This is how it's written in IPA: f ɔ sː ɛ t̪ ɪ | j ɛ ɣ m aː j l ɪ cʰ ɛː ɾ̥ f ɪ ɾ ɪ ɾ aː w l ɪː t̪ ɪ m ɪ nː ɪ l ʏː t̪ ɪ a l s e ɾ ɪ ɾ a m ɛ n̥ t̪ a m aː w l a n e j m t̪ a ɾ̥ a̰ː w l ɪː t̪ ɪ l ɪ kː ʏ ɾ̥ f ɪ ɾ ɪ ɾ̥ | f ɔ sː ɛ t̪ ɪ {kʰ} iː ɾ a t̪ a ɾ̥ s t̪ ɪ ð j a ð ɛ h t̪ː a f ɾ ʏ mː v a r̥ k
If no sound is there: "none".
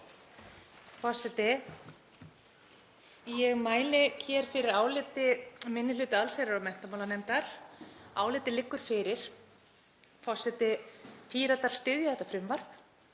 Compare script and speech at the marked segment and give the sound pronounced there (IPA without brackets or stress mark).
pʰ